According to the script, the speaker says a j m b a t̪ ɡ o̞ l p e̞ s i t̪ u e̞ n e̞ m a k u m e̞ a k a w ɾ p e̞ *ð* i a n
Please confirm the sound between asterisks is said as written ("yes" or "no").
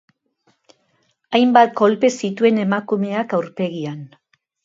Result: no